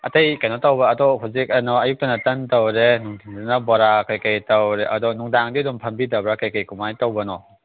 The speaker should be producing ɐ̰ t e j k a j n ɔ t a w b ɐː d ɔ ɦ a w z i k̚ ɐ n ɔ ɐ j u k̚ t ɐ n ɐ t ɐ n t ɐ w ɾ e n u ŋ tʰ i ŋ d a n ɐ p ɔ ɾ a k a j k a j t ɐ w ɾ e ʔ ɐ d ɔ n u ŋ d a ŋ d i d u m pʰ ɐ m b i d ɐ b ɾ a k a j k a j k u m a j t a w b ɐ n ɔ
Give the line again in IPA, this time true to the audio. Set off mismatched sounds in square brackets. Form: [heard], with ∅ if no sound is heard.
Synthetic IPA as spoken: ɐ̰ t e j k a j n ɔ t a w b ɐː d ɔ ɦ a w z i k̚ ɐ n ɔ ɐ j u k̚ t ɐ n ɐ t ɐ n t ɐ w ɾ e n u ŋ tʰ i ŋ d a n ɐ [b] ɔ ɾ a k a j k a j t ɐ w ɾ e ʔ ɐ d ɔ n u ŋ d a ŋ d i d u m pʰ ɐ m b i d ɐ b ɾ a k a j k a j k u m a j t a w b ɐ n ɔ

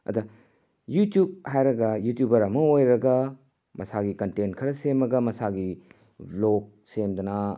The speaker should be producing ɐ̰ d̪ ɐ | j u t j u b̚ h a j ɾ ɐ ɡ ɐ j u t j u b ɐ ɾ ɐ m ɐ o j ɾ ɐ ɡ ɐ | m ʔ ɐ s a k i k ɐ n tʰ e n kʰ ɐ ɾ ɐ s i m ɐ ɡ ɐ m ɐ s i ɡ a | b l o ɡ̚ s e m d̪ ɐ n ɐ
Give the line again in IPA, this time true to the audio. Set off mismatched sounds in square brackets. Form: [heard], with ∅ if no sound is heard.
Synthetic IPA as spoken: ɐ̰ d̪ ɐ | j u t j u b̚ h a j ɾ ɐ ɡ ɐ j u t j u b ɐ ɾ ɐ m ɐ o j ɾ ɐ ɡ ɐ | m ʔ ɐ s a [ɡ] i k ɐ n [t] e n kʰ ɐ ɾ ɐ s [e] m ɐ ɡ ɐ m ɐ s [a] ɡ [i] | b l o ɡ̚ s e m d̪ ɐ n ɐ

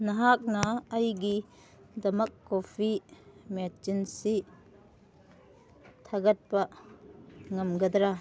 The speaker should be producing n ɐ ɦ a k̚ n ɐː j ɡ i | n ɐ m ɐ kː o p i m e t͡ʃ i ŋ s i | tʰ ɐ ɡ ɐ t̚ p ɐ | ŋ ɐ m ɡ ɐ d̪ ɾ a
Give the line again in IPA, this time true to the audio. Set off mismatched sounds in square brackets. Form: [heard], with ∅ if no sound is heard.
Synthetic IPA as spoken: n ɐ ɦ a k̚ n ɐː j ɡ i | [d] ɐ m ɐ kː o [pʰ] i m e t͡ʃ i [n] s i | tʰ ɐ ɡ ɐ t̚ p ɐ | ŋ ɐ m ɡ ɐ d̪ ɾ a

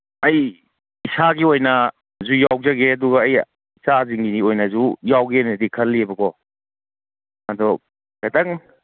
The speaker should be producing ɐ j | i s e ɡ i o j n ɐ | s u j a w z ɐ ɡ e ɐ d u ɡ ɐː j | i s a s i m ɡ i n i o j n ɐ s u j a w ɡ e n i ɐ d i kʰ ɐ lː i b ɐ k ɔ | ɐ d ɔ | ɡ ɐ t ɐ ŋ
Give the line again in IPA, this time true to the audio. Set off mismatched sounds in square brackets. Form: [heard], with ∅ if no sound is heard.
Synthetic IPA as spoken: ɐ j | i s [a] ɡ i o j n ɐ | [z] u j a w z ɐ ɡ e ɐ d u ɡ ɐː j | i s a [z] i [ŋ] ɡ i n i o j n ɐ [z] u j a w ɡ e n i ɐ d i kʰ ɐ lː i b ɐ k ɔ | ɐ d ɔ | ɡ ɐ t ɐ ŋ

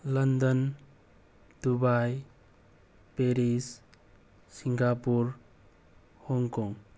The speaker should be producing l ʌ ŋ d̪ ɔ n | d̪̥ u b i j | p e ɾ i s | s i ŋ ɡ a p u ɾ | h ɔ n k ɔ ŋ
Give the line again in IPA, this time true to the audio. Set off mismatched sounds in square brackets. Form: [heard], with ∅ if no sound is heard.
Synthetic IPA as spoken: l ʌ [n] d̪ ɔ n | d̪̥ u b [a] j | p e ɾ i s | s i ŋ ɡ a p u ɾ | h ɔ [ŋ] k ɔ ŋ

